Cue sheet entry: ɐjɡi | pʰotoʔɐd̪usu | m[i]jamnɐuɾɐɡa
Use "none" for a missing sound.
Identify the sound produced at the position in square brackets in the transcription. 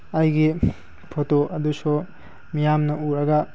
i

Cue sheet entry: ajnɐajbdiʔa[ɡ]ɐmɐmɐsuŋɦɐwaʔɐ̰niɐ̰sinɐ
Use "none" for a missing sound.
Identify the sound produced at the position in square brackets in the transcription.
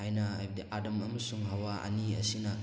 d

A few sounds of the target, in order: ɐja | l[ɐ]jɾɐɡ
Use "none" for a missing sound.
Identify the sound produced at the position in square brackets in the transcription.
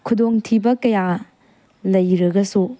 ɐ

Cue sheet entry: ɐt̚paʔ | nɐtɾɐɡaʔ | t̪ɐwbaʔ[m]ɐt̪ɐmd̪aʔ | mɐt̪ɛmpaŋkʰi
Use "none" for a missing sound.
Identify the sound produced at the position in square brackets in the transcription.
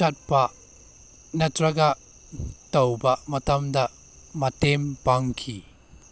m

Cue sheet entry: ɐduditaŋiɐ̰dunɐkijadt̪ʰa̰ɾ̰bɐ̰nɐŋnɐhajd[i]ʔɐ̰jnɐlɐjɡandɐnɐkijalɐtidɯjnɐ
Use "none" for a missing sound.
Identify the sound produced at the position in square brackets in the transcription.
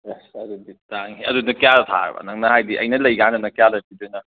i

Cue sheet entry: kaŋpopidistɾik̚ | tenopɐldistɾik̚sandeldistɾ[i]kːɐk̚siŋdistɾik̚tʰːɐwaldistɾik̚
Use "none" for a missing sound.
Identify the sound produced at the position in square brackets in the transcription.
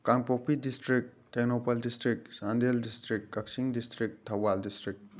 i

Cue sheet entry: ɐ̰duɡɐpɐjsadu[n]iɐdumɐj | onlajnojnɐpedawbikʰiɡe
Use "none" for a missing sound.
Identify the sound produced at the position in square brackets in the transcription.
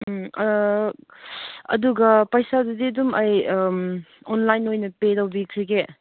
d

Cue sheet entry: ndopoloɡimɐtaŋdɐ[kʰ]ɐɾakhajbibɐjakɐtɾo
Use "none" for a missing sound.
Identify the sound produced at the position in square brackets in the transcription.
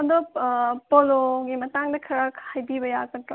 kʰ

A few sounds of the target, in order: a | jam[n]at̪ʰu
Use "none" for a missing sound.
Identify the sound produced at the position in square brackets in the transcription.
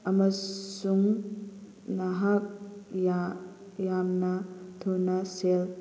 n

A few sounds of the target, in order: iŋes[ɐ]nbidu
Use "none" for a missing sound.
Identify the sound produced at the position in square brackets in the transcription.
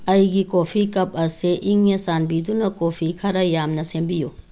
a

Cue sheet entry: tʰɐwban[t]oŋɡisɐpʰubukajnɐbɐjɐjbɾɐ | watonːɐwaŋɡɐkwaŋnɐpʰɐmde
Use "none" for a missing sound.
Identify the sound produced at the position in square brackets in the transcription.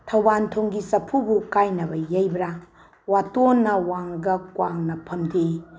tʰ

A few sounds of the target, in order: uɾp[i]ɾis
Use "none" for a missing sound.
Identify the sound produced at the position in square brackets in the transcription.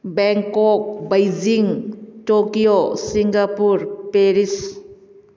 e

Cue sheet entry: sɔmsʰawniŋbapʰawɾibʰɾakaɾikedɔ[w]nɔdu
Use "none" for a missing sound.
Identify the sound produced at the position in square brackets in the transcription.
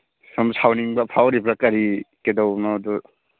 w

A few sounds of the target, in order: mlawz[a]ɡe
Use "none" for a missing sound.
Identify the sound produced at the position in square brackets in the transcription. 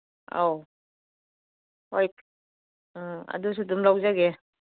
a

